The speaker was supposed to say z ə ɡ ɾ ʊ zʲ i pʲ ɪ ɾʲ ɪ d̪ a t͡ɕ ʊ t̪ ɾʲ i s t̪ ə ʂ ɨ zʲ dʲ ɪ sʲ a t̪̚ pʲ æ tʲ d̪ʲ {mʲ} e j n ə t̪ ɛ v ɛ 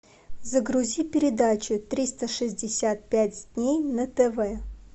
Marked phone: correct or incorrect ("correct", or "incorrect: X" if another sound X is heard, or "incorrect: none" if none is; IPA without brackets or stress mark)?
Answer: incorrect: nʲ